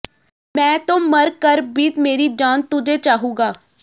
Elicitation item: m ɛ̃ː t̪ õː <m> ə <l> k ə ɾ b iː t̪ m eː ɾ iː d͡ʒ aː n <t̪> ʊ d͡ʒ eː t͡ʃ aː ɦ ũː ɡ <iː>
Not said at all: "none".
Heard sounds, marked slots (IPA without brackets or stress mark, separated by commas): m, ɾ, t̪, aː